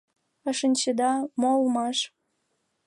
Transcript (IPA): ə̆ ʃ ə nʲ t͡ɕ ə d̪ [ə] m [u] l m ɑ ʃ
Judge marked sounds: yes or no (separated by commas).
no, no